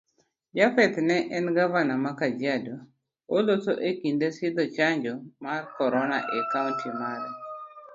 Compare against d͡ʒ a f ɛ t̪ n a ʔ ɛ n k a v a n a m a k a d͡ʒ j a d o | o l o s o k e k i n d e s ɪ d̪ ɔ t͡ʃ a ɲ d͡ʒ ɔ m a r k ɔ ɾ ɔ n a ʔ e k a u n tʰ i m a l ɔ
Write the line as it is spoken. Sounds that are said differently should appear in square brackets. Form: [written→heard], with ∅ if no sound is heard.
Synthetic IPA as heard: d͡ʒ a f ɛ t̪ n [a→ɛ] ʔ ɛ n [k→ɡ] a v a n a m a k a d͡ʒ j a d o | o l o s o [k→ʔ] e k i n d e s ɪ d̪ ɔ t͡ʃ a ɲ d͡ʒ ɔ m a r k ɔ ɾ ɔ n a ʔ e k a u n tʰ i m a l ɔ

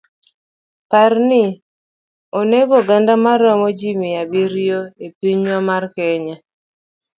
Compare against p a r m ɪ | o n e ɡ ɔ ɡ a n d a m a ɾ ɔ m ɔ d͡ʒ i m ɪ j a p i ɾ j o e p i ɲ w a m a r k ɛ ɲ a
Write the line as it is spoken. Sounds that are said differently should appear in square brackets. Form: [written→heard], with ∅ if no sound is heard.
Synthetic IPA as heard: p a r [m→n] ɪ | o n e ɡ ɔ ɡ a n d a m a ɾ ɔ m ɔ d͡ʒ i m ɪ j a [p→b] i ɾ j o e p i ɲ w a m a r k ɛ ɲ a

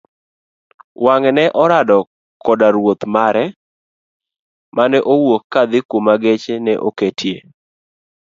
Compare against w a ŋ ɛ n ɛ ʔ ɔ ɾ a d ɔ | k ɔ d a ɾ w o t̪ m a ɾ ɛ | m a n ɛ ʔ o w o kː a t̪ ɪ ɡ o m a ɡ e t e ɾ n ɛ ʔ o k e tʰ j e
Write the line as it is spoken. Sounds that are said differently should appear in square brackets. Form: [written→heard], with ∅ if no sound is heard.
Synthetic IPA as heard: w a ŋ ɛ n ɛ ʔ ɔ ɾ a d ɔ | k ɔ d a ɾ w o t̪ m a ɾ ɛ | m a n ɛ ʔ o w o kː a [t̪→d̪] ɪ [ɡ→k] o m a ɡ e [t→t͡ʃ] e [ɾ→∅] n ɛ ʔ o k e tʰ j e

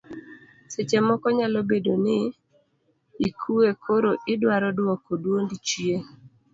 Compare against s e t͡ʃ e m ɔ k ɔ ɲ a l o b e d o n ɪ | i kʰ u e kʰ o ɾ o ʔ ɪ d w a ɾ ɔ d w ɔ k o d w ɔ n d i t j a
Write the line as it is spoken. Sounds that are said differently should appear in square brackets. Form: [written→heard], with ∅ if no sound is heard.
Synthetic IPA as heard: s e t͡ʃ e m ɔ k ɔ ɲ a l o b e d o n ɪ | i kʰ u e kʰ o ɾ o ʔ ɪ d w a ɾ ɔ d w ɔ k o d w [ɔ→o] n d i [t→t͡ʃ] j [a→e]

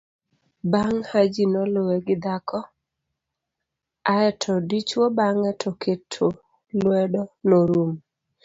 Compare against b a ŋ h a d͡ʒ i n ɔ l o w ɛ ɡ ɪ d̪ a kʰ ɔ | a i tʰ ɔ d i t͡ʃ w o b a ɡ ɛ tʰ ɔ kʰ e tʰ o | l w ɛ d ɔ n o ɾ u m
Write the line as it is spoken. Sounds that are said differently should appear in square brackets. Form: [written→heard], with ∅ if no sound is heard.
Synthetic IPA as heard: b a ŋ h a d͡ʒ i n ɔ l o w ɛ ɡ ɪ d̪ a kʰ ɔ | a [i→ɛ] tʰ ɔ d i t͡ʃ w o b a [ɡ→ŋ] ɛ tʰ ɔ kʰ e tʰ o | l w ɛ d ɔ n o ɾ u m

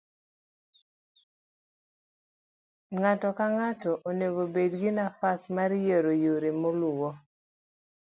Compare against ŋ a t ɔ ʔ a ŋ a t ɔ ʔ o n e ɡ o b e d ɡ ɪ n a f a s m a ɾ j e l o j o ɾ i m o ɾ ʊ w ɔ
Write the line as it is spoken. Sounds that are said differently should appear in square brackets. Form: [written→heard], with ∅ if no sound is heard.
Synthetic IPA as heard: ŋ a t ɔ [ʔ→k] a ŋ a t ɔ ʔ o n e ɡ o b e d ɡ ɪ n a f a s m a ɾ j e [l→ɾ] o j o ɾ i m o [ɾ→l] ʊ w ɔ

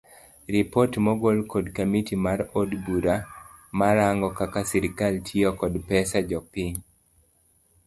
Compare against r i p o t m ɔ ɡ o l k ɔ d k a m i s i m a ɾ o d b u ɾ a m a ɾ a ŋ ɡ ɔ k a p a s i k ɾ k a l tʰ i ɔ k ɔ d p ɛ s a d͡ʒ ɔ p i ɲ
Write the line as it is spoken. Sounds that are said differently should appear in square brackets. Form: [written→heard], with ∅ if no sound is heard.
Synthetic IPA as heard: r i p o t m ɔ ɡ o l k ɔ d k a m i [s→t] i m a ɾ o d b u ɾ a m a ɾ a ŋ ɡ ɔ k a [p→k] a s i [k→∅] ɾ k a l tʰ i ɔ k ɔ d p ɛ s a d͡ʒ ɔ p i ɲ

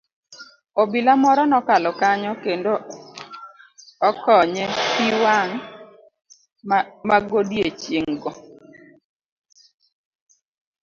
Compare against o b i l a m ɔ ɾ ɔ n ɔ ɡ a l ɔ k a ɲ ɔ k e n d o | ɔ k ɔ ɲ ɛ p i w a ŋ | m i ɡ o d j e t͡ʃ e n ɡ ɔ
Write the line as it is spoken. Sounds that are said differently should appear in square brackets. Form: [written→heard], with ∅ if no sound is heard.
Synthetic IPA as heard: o b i l a m ɔ ɾ ɔ n ɔ [ɡ→k] a l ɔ k a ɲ ɔ k e n d o | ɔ k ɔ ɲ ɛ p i w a ŋ | m [i→a] ɡ o d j e t͡ʃ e [n→ŋ] ɡ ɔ

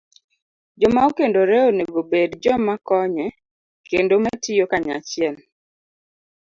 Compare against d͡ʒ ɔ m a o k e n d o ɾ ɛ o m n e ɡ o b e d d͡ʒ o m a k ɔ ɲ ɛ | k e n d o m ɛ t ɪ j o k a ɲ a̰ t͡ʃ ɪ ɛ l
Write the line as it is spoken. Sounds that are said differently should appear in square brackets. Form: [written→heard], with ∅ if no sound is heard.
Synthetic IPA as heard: d͡ʒ ɔ m a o k e n d o ɾ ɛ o [m→∅] n e ɡ o b e d d͡ʒ [o→ɔ] m a k ɔ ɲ ɛ | k e n d o m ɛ t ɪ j o k a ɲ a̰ t͡ʃ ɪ ɛ l

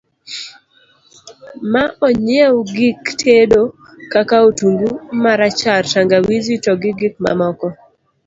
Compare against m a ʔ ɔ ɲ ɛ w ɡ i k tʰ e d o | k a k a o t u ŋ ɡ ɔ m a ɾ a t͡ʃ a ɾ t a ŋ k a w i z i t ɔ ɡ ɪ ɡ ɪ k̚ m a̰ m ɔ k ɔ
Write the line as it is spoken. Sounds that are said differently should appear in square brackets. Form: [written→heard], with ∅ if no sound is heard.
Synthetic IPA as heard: m a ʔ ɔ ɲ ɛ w ɡ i k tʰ e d o | k a k a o t u ŋ ɡ [ɔ→u] m a ɾ a t͡ʃ a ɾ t a ŋ [k→ɡ] a w i z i t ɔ ɡ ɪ ɡ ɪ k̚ m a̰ m ɔ k ɔ

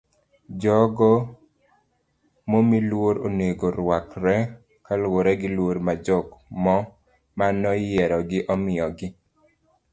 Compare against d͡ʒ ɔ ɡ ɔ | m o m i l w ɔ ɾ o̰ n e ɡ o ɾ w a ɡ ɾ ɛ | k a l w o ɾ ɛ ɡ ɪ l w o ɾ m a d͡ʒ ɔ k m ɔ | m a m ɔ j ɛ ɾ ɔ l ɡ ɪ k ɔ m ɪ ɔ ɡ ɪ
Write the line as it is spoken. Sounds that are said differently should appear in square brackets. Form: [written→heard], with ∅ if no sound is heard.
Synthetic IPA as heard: d͡ʒ ɔ ɡ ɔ | m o m i l w [ɔ→o] ɾ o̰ n e ɡ o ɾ w a [ɡ→k] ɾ ɛ | k a l w o ɾ ɛ ɡ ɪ l w o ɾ m a d͡ʒ ɔ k m ɔ | m a [m→n] ɔ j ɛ ɾ ɔ [l→∅] ɡ ɪ [k→ʔ] ɔ m ɪ ɔ ɡ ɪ

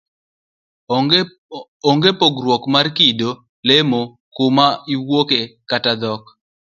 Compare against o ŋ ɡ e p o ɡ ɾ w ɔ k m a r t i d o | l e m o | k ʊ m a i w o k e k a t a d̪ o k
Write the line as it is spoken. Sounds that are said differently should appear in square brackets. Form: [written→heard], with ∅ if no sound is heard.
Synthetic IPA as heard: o ŋ ɡ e p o ɡ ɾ w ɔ k m a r [t→k] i d o | l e m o | k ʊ m a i w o k e k a t a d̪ [o→ɔ] k

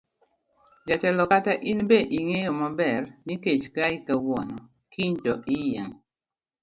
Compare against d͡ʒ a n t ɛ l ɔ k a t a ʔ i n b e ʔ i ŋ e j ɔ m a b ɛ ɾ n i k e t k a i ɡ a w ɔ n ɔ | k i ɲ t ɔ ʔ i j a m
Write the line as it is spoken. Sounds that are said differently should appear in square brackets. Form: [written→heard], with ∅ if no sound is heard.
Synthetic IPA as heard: d͡ʒ a [n→∅] t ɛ l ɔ k a t a ʔ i n b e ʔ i ŋ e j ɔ m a b ɛ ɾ n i k e [t→t͡ʃ] k a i [ɡ→k] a w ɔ n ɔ | k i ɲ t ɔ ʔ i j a [m→ŋ]

